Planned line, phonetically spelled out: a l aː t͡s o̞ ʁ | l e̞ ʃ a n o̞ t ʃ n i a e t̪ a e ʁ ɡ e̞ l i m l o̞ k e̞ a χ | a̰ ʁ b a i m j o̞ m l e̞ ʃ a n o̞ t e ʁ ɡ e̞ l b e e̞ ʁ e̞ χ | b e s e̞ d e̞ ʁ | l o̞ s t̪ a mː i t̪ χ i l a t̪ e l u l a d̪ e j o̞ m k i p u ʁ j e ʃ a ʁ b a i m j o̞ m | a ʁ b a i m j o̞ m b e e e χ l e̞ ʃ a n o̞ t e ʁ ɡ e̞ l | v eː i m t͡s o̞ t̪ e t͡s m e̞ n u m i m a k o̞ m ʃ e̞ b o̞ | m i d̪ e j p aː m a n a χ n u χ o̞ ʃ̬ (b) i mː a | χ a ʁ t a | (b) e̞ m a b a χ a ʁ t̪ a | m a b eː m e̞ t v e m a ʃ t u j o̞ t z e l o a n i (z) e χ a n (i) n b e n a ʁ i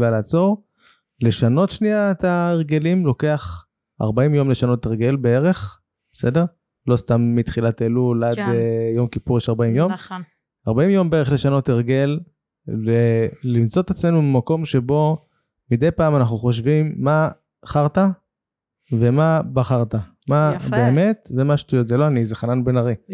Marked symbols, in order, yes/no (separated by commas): no, no, yes, no